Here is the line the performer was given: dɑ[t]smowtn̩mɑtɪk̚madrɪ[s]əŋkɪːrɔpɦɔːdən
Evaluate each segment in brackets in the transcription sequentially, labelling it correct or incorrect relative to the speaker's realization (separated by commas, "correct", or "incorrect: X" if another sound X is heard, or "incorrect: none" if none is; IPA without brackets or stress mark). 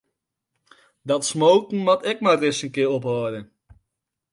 correct, correct